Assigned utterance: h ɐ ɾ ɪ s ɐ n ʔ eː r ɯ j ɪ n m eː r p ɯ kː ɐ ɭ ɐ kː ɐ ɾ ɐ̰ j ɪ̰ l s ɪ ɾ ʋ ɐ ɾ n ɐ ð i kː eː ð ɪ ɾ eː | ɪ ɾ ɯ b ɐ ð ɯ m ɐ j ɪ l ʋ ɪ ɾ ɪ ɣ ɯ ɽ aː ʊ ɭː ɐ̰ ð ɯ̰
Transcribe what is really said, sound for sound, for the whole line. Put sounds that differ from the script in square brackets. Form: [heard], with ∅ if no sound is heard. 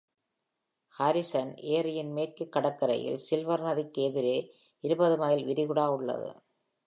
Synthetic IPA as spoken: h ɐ ɾ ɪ s ɐ n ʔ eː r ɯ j ɪ n m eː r [k] ɯ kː ɐ [ɽ] ɐ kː ɐ ɾ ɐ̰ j ɪ̰ l s ɪ [l] ʋ ɐ ɾ n ɐ ð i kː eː ð ɪ ɾ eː | ɪ ɾ ɯ b ɐ ð ɯ m ɐ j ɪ l ʋ ɪ ɾ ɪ ɣ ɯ ɽ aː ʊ ɭː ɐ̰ ð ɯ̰